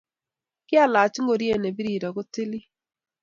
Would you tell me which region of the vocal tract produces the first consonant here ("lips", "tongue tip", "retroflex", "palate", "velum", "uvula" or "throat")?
velum